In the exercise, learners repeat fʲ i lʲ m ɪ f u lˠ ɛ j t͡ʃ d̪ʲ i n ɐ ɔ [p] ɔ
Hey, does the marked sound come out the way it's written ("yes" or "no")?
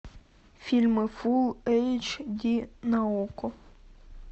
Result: no